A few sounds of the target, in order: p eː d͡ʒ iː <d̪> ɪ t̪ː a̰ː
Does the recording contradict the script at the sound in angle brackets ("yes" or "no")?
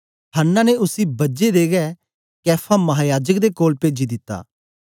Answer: no